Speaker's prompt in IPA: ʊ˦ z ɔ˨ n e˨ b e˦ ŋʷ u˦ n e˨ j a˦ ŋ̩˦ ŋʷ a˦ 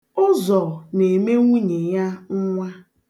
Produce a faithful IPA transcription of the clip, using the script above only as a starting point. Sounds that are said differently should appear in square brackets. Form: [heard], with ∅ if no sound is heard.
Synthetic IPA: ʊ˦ z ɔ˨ n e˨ [m] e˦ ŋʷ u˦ [ɲ] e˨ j a˦ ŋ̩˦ ŋʷ a˦